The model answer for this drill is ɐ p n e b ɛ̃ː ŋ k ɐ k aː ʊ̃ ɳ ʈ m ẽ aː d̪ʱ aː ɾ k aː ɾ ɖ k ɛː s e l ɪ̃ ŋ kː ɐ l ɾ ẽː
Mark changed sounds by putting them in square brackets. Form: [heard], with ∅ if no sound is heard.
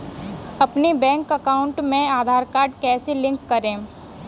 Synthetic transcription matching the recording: ɐ p n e b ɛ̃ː ŋ k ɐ k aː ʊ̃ ɳ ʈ m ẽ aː d̪ʱ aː ɾ k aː ɾ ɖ k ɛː s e l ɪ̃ ŋ kː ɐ [∅] ɾ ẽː